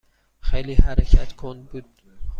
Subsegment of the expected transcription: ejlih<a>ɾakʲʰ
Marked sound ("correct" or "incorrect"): correct